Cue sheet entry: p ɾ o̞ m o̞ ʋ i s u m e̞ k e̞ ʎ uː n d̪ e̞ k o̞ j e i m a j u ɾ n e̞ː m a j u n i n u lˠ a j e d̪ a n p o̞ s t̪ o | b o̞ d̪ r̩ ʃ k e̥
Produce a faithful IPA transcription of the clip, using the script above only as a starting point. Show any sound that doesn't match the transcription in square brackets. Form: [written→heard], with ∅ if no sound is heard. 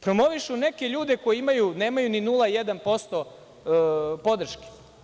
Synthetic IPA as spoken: p ɾ o̞ m o̞ ʋ i [s→ʃ] u [m→n] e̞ k e̞ ʎ uː [n→∅] d̪ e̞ k o̞ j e i m a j u [ɾ→∅] n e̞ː m a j u n i n u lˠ a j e d̪ a n p o̞ s t̪ o | [b→p] o̞ d̪ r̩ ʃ k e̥